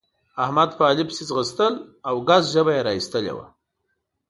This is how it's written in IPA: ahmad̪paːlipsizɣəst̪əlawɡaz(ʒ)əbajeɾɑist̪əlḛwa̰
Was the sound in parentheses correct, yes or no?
yes